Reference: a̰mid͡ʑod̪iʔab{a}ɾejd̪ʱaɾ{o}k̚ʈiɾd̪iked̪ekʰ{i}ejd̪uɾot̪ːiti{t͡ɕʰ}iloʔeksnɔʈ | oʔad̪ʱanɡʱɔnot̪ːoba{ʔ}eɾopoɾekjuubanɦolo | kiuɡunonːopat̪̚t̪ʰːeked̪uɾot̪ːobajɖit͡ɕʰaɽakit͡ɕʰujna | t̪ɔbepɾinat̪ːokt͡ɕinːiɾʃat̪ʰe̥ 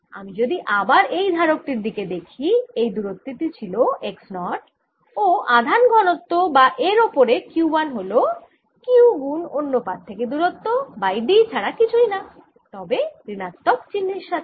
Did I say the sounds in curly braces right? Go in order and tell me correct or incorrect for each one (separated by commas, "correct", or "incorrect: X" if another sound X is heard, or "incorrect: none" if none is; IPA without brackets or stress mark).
correct, correct, correct, correct, correct